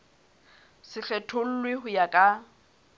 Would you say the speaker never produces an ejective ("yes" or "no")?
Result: no